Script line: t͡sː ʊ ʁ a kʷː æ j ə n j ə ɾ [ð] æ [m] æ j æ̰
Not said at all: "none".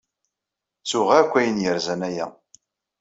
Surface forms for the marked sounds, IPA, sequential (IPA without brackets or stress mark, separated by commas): z, n